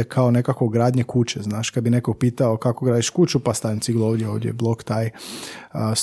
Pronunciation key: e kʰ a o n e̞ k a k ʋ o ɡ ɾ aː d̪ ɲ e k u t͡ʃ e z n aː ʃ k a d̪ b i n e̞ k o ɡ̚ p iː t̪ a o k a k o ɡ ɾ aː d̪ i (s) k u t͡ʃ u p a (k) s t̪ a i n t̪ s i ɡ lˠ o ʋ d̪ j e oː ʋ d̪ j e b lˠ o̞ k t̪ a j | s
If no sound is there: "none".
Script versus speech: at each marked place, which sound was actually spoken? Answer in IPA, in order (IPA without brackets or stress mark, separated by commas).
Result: ʃ, none